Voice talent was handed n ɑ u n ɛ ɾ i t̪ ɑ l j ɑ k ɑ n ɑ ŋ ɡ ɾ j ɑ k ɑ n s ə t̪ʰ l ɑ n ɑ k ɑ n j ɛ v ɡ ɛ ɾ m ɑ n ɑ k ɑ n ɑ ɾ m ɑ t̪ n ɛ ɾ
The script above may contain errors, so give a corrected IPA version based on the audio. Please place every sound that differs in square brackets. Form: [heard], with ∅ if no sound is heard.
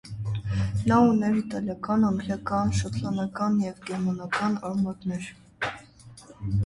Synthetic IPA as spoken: n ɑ u n ɛ ɾ i t̪ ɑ l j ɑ k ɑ n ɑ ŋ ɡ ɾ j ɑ k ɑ n [ʃ] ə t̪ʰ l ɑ n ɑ k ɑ n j ɛ v ɡ ɛ ɾ m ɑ n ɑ k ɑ n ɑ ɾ m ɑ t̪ n ɛ ɾ